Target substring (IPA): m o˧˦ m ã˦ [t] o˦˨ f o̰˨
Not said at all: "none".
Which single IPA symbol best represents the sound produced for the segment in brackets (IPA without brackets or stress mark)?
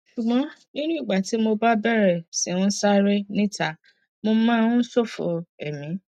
s